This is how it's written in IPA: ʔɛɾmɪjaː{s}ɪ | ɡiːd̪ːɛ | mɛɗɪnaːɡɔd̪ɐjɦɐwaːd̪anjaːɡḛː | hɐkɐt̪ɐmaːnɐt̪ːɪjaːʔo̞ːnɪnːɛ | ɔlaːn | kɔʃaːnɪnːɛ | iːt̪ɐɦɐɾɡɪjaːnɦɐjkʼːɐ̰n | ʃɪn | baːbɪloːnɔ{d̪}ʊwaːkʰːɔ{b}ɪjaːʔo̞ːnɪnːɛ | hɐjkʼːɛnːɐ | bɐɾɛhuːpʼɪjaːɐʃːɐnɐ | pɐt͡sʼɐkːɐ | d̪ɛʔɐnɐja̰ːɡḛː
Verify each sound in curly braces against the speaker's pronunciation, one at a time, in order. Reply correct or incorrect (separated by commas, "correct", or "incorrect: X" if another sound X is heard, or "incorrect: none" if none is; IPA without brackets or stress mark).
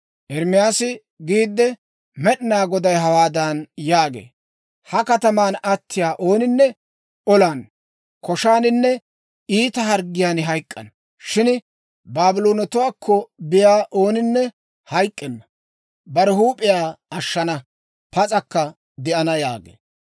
correct, incorrect: t̪, correct